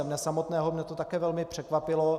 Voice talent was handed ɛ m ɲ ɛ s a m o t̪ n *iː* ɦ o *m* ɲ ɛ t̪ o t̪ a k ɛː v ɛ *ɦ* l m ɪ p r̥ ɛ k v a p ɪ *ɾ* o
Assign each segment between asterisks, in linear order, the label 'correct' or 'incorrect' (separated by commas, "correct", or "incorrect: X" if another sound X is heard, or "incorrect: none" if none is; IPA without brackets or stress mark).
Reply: incorrect: ɛː, correct, incorrect: none, incorrect: l